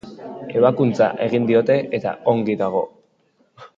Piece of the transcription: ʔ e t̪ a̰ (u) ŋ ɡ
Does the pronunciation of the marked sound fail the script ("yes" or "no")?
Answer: yes